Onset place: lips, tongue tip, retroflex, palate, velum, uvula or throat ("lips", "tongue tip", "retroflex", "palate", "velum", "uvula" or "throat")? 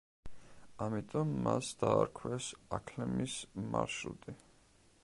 lips